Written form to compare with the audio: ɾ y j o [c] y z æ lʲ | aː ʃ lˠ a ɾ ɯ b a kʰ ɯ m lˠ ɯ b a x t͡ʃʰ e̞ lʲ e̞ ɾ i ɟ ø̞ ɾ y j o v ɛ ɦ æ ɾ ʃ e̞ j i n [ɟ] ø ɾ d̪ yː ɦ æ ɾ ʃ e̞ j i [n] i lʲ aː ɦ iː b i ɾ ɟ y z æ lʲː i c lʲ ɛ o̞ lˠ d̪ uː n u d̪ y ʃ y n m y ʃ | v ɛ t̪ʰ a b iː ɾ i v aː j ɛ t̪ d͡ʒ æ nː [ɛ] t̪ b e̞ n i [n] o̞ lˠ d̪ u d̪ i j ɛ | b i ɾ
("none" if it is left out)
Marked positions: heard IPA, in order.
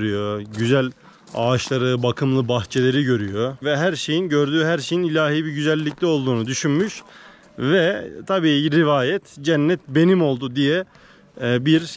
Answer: ɟ, ɟ, n, ɛ, m

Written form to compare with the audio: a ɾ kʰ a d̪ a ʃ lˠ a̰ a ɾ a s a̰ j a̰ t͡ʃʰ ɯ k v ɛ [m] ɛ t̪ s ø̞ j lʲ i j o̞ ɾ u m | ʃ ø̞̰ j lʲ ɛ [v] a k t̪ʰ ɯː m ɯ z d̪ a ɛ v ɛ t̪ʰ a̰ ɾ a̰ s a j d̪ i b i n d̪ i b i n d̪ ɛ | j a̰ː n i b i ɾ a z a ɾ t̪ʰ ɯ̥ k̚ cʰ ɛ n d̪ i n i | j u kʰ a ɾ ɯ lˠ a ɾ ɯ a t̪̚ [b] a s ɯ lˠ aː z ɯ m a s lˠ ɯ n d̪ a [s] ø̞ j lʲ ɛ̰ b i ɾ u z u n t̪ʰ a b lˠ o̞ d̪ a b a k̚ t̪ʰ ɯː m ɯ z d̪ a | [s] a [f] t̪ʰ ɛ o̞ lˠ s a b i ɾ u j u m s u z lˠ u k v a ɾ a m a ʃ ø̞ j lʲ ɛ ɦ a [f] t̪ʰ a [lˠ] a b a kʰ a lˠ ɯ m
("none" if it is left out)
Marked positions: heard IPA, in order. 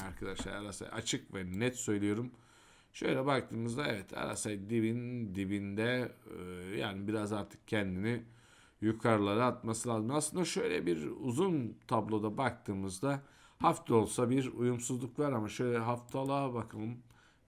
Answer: n, b, m, ʃ, h, f, f, lˠ

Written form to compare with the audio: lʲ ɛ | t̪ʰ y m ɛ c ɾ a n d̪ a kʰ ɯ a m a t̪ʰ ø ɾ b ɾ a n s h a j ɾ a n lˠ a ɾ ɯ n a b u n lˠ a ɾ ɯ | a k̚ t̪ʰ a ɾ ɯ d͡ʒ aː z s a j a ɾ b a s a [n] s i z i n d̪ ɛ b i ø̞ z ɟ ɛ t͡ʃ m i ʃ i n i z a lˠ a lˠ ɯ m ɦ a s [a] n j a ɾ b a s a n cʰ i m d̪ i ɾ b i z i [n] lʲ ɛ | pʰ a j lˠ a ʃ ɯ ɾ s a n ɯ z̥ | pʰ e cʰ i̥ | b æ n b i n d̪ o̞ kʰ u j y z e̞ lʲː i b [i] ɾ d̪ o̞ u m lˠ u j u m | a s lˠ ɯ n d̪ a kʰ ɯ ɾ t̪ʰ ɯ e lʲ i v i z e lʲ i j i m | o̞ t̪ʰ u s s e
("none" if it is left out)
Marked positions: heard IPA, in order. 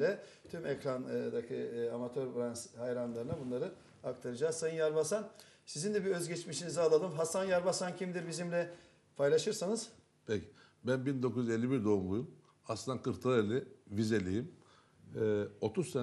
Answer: n, a, m, i

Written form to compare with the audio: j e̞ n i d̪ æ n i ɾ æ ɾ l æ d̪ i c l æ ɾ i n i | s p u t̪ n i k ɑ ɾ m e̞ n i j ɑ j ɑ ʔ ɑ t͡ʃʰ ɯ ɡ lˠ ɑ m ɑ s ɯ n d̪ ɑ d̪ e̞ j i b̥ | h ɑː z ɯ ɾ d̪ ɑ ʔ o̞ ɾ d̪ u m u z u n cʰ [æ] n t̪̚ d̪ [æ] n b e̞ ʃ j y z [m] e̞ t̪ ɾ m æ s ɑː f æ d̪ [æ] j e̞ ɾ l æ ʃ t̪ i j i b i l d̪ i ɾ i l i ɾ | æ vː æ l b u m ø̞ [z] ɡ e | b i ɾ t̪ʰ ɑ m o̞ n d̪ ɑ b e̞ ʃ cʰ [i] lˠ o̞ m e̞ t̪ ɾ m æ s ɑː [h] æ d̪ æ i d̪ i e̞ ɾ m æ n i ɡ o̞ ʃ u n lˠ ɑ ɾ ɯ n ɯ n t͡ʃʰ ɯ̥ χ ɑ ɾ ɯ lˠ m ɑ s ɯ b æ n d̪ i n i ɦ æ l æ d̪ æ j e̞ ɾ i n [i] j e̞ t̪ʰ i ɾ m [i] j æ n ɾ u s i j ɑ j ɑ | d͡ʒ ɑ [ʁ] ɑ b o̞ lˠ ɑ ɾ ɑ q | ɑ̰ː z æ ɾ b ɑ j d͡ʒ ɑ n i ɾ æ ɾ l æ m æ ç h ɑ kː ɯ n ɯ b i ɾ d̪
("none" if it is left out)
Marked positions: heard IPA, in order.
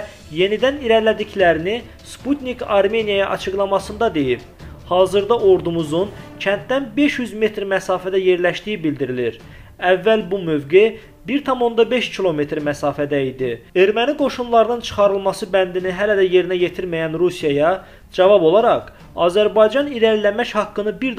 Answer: æ, æ, m, æ, v, i, f, æ, æ, v

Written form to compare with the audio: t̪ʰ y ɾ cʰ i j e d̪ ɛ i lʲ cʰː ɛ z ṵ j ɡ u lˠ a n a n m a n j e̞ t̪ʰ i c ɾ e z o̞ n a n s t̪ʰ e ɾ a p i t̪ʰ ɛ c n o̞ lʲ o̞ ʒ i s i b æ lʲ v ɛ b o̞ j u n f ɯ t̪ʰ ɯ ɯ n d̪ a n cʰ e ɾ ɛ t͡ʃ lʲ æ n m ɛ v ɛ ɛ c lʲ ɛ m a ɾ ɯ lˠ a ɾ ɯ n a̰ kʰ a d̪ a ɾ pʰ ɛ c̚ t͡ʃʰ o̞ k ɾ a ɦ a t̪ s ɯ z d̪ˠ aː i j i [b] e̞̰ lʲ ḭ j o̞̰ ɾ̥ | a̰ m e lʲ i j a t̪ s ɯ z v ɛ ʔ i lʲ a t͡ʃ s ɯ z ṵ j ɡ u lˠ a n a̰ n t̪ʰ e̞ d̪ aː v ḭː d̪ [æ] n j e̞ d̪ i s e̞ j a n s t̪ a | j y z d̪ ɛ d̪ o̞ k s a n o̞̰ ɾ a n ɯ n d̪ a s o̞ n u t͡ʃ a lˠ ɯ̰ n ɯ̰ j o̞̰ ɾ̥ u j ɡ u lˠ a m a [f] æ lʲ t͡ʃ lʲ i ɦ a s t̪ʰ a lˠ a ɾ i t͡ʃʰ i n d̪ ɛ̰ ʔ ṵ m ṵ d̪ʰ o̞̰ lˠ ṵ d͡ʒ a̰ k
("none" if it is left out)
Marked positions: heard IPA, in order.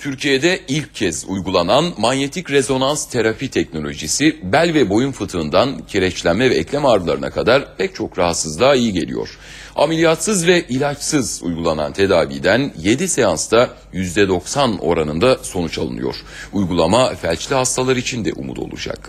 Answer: ɟ, æ, f

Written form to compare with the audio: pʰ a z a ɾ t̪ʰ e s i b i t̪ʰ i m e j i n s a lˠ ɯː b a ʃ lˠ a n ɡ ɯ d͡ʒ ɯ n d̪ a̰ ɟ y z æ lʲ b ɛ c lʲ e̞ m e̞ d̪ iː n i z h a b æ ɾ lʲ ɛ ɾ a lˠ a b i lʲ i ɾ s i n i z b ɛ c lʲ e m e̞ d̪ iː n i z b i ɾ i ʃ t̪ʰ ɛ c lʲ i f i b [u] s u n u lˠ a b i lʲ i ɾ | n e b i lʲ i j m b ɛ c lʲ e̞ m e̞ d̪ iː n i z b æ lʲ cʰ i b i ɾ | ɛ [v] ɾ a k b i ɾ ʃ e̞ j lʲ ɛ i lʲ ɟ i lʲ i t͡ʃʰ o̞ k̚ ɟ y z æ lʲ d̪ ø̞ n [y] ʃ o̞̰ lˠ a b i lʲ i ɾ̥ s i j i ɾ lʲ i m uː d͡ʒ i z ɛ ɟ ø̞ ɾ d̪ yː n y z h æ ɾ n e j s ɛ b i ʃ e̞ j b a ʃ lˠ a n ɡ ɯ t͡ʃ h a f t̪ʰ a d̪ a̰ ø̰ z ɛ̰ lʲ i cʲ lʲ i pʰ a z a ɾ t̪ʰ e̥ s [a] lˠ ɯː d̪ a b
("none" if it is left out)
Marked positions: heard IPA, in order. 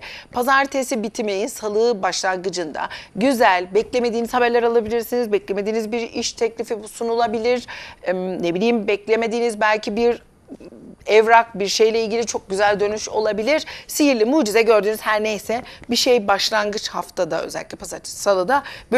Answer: u, v, y, a

